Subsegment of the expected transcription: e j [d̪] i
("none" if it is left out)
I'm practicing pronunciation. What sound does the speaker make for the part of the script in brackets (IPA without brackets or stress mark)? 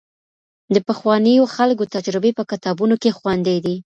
d̪